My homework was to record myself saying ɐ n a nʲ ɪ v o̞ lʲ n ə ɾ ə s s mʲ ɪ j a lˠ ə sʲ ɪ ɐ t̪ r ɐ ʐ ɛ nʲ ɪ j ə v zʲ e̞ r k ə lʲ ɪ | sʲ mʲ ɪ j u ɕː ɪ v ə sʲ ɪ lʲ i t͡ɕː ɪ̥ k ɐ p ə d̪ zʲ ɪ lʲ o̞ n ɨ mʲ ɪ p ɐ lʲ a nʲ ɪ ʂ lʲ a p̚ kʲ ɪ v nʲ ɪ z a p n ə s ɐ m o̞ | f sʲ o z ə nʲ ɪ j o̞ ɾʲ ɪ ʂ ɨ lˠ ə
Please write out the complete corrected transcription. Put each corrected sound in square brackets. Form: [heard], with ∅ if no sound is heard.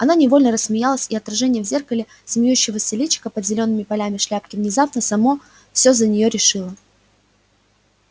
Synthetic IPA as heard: ɐ n a nʲ ɪ v o̞ lʲ n ə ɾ ə s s mʲ ɪ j a lˠ ə sʲ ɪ ɐ t̪ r ɐ ʐ ɛ nʲ ɪ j ə v zʲ e̞ r k ə lʲ ɪ | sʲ mʲ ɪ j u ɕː ɪ v ə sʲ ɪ lʲ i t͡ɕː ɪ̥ k [ə] p ə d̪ zʲ ɪ lʲ o̞ [nː] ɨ mʲ ɪ p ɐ lʲ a [mʲ] ɪ ʂ lʲ a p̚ kʲ ɪ v nʲ ɪ z a p n ə s ɐ m o̞ | f sʲ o z ə nʲ ɪ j o̞ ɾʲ ɪ ʂ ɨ lˠ ə

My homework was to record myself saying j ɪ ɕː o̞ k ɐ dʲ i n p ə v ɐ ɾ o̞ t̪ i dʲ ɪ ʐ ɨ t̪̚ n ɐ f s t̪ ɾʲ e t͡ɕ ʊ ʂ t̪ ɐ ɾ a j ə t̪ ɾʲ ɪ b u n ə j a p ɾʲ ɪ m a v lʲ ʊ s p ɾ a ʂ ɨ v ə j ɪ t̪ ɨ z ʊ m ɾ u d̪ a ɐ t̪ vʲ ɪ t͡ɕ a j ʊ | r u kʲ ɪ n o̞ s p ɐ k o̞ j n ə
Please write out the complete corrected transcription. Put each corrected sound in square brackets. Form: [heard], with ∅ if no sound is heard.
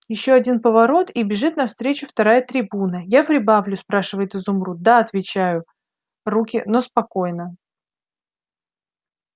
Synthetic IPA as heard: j ɪ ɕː o̞ [∅] ɐ dʲ i n p ə v ɐ ɾ o̞ t̪ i [bʲ] ɪ ʐ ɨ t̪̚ n ɐ f s t̪ ɾʲ e t͡ɕ ʊ [f] t̪ ɐ ɾ a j ə t̪ ɾʲ ɪ b u n ə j a p ɾʲ ɪ [b] a v lʲ ʊ s p ɾ a ʂ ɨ v ə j ɪ t̪ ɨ z ʊ m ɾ u d̪ a ɐ t̪ vʲ ɪ t͡ɕ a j ʊ | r u kʲ ɪ n o̞ s p ɐ k o̞ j n ə

